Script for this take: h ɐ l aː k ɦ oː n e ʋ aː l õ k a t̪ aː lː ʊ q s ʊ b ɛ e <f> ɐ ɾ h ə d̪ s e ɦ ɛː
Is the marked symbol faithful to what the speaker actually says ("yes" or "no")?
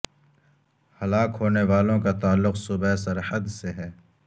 no